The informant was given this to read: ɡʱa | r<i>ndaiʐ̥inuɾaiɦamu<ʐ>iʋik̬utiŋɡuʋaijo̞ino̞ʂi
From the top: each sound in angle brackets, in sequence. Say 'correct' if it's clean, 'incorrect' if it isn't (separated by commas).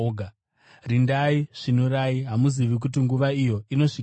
correct, incorrect